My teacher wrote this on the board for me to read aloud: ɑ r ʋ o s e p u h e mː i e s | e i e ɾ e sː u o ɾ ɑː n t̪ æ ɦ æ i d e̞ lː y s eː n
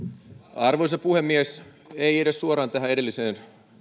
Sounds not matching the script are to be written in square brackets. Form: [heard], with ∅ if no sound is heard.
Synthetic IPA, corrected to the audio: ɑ r ʋ o s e p u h e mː i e s | e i e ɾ e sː u o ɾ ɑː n t̪ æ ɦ æ [e] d e̞ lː [i] s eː n